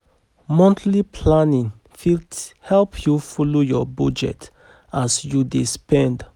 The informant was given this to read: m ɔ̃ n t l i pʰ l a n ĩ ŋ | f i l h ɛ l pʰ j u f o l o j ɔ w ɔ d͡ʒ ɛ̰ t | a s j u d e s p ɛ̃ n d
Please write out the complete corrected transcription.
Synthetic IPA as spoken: m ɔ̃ n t l i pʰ l a n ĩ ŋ | f i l h ɛ l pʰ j u f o l o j ɔ b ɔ d͡ʒ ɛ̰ t | a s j u d e s p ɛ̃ n d